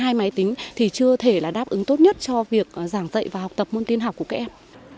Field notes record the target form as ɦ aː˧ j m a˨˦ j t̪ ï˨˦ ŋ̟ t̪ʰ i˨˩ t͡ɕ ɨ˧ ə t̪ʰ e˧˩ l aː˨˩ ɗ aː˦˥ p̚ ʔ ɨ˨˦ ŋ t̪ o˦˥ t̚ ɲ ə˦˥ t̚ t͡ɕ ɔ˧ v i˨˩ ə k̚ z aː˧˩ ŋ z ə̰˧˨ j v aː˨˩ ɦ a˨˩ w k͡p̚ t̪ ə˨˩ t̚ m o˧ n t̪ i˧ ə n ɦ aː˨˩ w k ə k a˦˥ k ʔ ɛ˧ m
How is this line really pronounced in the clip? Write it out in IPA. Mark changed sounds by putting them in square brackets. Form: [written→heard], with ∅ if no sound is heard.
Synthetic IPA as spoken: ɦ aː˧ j m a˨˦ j t̪ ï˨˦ ŋ̟ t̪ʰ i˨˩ t͡ɕ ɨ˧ ə t̪ʰ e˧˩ l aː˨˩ ɗ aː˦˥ p̚ ʔ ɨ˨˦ ŋ t̪ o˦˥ t̚ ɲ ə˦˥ t̚ t͡ɕ ɔ˧ v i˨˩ ə k̚ z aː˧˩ ŋ z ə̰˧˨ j v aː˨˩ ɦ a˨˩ w k͡p̚ t̪ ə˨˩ [t̚→p̚] m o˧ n t̪ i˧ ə n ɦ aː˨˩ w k ə k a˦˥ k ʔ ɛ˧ m